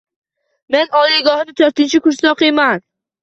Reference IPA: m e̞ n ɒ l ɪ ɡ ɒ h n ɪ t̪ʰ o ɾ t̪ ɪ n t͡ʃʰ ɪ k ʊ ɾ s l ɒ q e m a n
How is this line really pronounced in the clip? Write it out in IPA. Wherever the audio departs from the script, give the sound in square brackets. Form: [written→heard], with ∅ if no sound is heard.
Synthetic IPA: m e̞ n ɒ l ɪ ɡ ɒ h n ɪ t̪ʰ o ɾ t̪ ɪ n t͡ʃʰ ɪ k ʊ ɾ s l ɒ q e m a n